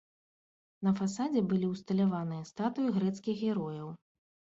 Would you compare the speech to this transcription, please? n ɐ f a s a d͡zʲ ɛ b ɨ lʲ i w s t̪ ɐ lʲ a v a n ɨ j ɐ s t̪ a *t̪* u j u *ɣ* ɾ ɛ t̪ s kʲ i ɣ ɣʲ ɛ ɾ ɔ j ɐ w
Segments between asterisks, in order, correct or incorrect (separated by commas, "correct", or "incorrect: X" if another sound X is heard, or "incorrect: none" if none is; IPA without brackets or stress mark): correct, correct